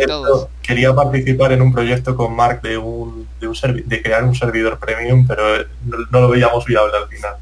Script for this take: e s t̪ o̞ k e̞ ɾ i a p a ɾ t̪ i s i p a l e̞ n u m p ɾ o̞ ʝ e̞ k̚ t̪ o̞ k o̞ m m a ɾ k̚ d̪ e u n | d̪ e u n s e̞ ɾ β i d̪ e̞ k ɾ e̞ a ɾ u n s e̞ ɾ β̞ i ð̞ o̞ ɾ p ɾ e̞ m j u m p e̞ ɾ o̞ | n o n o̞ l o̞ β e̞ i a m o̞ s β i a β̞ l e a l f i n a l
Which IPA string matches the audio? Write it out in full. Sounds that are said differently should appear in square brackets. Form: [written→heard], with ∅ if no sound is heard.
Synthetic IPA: e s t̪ o̞ k e̞ ɾ i a p a ɾ t̪ i [s→θ] i p a [l→ɾ] e̞ n u m p ɾ o̞ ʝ e̞ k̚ t̪ o̞ k o̞ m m a ɾ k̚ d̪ e u n | d̪ e u n s e̞ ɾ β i d̪ e̞ k ɾ e̞ a ɾ u n s e̞ ɾ β̞ i ð̞ o̞ ɾ p ɾ e̞ m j u m p e̞ ɾ o̞ | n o n o̞ l o̞ β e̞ i a m o̞ s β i a β̞ l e a l f i n a l